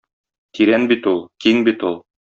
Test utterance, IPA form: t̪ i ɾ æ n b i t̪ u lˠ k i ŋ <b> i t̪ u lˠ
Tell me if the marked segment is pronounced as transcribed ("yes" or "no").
yes